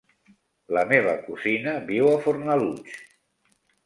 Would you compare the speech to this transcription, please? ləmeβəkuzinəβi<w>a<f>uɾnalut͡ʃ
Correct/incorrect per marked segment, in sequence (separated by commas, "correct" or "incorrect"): correct, correct